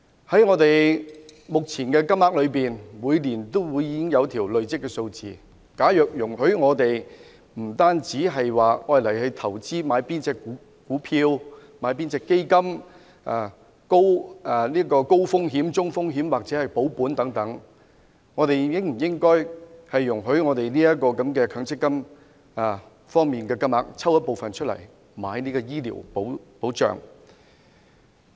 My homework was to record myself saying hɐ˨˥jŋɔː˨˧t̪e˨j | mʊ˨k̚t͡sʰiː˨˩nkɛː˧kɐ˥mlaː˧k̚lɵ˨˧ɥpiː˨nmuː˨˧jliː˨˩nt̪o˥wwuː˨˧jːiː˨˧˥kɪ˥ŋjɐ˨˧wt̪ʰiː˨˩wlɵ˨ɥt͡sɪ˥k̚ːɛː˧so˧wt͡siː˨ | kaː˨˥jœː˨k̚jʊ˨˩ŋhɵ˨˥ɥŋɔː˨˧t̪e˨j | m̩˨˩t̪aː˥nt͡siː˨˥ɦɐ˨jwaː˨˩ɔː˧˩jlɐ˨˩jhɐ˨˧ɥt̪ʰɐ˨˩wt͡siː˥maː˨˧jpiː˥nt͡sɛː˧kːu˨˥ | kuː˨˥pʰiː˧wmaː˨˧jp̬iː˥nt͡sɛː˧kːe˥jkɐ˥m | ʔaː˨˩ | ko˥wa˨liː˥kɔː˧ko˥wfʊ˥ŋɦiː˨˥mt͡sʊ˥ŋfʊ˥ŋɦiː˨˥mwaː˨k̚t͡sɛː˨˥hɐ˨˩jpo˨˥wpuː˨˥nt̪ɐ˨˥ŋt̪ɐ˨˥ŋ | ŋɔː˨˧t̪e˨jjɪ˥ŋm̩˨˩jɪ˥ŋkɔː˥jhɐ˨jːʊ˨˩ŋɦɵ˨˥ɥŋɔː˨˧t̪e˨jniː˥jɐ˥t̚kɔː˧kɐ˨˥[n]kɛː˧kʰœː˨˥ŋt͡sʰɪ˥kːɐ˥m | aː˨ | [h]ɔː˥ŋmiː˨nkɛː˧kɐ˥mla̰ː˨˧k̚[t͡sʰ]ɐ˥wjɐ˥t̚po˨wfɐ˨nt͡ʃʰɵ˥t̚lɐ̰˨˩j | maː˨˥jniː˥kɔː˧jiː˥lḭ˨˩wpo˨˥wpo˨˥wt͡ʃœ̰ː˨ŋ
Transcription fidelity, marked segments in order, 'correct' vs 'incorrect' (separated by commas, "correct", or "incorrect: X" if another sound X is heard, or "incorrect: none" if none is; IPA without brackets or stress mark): incorrect: m, incorrect: f, correct